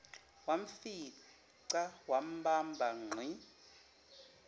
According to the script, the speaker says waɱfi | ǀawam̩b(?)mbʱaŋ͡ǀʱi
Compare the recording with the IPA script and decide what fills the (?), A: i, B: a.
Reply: B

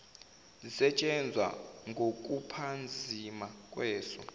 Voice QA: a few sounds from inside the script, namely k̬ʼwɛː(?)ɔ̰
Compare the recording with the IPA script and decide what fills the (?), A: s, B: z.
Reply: A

